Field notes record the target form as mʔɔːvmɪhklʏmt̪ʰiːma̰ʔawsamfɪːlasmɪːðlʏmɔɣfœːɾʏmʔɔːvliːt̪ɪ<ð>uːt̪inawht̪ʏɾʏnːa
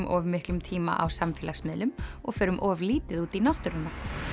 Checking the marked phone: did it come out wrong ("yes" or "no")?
no